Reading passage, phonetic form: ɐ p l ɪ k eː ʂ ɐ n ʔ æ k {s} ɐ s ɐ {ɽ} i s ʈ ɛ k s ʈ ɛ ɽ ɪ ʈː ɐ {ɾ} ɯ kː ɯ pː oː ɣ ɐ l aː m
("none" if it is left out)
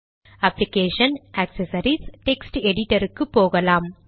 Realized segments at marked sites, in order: s, ɾ, ɾ

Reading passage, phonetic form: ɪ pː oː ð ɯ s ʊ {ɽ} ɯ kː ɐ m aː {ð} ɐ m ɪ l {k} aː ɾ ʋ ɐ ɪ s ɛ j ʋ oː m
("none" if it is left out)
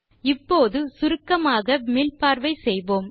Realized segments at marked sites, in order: ɾ, ɣ, p

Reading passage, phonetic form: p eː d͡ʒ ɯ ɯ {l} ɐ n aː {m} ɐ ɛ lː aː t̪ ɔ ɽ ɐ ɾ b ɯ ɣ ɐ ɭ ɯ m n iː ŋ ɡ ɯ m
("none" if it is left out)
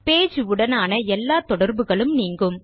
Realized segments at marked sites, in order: ɽ, n

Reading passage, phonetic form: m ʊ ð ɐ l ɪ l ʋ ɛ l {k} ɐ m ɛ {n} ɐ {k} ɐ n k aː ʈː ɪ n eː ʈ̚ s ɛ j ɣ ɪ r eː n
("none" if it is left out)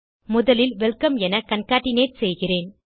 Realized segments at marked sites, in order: k, n, k

